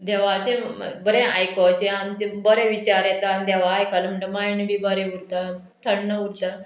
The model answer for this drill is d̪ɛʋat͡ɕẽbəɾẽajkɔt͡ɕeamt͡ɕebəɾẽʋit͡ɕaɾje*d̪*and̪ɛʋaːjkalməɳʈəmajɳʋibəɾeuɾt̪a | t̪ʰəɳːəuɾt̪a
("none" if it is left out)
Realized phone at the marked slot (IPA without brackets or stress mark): t̪